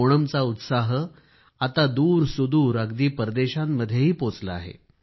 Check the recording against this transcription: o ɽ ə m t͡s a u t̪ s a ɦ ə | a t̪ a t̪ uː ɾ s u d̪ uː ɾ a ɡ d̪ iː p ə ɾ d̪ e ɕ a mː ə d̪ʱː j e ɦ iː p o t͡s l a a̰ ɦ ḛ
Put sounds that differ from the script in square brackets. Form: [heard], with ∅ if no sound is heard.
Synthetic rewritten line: o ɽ ə m t͡s a u t̪ s a ɦ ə | a t̪ a [d̪] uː ɾ s u d̪ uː ɾ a ɡ d̪ iː p ə ɾ d̪ e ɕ a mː ə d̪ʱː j e ɦ iː p o t͡s l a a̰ ɦ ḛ